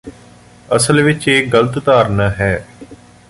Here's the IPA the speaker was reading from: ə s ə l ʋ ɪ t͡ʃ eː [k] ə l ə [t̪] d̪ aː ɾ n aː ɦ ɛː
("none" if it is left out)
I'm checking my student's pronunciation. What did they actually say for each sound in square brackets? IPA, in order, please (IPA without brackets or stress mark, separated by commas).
ɡ, t̪